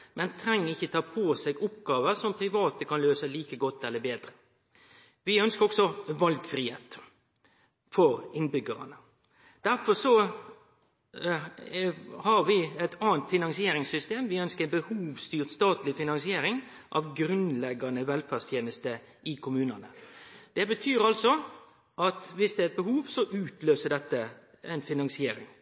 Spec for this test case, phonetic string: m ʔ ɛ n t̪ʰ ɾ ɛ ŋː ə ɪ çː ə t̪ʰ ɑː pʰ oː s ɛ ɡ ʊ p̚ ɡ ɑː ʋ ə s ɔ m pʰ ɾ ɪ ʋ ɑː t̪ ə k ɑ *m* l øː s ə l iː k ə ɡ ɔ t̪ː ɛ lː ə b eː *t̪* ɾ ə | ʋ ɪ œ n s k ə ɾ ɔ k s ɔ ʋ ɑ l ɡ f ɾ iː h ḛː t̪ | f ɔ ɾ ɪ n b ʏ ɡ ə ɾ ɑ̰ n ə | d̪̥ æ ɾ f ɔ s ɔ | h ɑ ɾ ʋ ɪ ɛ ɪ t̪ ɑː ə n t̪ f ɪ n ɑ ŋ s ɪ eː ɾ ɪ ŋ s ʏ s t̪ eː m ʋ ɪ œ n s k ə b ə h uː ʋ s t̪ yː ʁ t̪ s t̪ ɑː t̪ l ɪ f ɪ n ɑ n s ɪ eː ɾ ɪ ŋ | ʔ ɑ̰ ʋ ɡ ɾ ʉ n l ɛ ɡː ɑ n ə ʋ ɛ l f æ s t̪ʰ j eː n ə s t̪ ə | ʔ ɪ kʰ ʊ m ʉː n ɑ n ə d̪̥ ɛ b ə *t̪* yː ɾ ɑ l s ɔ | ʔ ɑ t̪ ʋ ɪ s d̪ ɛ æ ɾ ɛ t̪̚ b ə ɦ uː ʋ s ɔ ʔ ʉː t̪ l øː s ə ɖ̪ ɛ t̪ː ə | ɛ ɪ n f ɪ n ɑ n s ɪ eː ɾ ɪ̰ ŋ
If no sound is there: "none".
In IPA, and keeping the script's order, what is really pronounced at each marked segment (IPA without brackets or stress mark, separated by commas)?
n, d̪, t̪ʰ